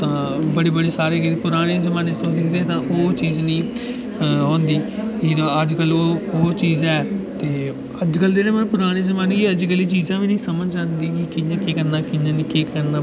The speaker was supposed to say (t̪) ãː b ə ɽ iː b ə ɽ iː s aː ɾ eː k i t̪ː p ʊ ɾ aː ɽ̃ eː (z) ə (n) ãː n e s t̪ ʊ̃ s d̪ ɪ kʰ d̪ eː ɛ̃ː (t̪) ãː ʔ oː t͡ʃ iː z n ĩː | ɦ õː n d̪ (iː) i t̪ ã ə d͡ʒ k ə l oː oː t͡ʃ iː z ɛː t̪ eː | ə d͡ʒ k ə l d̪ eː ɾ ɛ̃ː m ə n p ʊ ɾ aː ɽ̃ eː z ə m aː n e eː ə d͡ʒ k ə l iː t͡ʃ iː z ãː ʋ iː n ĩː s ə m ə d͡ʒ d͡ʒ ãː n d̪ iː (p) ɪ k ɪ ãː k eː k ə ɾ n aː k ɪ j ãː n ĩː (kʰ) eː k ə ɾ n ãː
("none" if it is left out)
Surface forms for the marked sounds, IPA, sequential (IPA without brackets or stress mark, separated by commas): t̪, z, m, t̪, iː, k, k